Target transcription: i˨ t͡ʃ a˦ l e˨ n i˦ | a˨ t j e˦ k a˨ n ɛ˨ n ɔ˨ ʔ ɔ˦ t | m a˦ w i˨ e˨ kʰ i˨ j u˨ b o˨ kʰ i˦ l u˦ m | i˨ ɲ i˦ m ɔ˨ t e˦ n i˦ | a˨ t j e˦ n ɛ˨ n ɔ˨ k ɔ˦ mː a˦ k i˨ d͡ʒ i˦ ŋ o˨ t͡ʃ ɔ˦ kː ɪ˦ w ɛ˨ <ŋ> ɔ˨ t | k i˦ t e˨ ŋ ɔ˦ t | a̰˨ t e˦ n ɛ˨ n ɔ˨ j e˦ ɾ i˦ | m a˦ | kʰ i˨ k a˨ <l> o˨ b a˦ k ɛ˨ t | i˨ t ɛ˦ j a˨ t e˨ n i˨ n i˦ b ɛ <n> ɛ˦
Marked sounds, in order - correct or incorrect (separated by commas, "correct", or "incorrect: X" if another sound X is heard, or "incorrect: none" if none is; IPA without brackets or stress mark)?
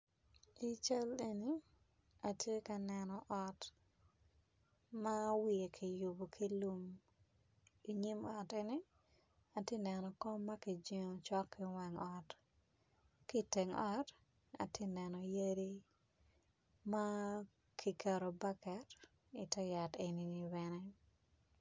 correct, incorrect: ɾ, correct